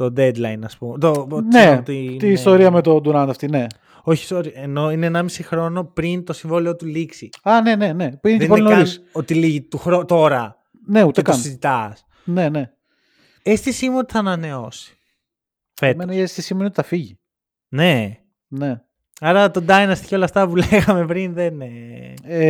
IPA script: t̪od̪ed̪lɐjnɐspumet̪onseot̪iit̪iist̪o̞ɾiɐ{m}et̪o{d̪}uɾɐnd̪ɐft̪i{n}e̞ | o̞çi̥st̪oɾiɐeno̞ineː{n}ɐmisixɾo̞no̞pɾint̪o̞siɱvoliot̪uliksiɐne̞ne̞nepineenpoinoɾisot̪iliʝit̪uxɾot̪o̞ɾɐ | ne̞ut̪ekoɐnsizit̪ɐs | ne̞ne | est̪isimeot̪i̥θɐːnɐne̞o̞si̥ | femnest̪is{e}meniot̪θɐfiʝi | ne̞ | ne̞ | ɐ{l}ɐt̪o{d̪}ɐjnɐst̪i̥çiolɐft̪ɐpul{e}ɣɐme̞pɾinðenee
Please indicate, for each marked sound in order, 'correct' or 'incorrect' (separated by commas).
correct, correct, correct, correct, incorrect, incorrect, correct, correct